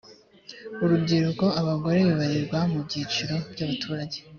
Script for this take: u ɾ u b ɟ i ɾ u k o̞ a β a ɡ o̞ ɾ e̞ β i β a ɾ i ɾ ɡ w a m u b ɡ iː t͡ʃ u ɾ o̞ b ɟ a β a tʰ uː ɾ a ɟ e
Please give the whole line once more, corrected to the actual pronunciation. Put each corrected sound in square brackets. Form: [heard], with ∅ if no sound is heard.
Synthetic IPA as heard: u ɾ u b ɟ i ɾ u k o̞ a β a ɡ o̞ ɾ e̞ β i β a ɾ i ɾ ɡ w a m u b [ɟ] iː t͡ʃ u ɾ o̞ b ɟ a β a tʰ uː ɾ a ɟ e